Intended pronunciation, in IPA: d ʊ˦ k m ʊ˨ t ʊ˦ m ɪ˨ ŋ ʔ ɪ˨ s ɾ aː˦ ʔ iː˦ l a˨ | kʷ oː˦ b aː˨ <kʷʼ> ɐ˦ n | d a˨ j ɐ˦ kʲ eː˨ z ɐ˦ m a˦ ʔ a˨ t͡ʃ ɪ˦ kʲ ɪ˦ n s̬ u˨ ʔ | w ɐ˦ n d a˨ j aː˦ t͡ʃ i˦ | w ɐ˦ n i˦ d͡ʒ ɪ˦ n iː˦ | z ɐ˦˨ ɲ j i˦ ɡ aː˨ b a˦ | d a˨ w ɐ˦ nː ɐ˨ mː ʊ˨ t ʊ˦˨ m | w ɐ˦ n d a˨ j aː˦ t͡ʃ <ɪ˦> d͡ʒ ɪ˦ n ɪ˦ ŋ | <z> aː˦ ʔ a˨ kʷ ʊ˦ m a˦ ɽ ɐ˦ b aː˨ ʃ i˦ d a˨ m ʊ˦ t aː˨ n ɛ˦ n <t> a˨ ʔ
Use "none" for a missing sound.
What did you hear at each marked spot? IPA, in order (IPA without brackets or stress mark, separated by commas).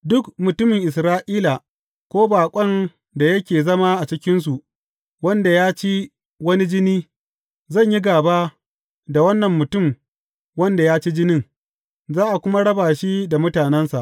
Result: kʷʼ, i˦, z, s